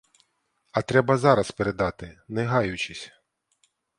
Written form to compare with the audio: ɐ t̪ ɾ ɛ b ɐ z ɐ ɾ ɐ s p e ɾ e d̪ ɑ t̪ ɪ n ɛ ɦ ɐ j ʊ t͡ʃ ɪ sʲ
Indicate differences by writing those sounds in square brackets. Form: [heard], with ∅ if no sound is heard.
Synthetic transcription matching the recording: ɐ t̪ ɾ ɛ b ɐ z [ɑ] ɾ ɐ s p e ɾ e d̪ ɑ t̪ ɪ n ɛ ɦ [ɑ] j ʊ t͡ʃ ɪ sʲ